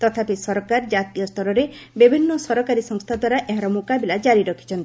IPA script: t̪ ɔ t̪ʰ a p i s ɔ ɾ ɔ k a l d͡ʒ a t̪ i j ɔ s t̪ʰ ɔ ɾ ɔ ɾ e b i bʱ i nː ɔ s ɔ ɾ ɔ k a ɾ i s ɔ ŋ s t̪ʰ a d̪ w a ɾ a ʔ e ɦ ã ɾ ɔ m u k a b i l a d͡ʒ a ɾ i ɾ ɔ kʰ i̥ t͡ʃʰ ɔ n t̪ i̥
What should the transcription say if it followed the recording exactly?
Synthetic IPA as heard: t̪ ɔ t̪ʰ a p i s ɔ ɾ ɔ k a ɾ d͡ʒ a t̪ i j ɔ s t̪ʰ ɔ ɾ ɔ ɾ e b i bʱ i nː ɔ s ɔ ɾ ɔ k a ɾ i s ɔ ŋ s t̪ʰ a d̪ w a ɾ a ʔ e ɦ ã ɾ ɔ m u k a b i l a d͡ʒ a ɾ i ɾ ɔ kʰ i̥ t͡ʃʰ ɔ n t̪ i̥